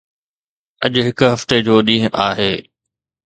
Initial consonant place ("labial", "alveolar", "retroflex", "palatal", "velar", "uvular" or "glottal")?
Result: palatal